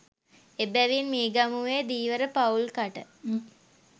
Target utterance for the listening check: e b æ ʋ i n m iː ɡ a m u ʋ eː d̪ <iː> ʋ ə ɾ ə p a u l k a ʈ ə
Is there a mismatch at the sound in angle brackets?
no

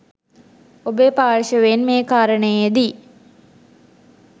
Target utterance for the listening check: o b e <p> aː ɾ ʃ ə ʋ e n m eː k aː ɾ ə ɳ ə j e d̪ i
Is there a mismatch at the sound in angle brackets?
no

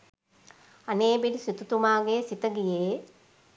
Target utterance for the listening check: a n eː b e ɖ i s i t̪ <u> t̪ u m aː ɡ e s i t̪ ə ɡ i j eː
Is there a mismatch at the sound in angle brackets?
no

